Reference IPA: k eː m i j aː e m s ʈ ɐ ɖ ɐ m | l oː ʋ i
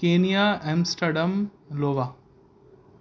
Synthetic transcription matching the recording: k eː n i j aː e m s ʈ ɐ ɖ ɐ m | l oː ʋ a